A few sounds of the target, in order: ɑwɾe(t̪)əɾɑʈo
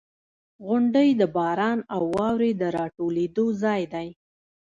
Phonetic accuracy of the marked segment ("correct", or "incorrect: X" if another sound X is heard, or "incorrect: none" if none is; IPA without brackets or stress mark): incorrect: d̪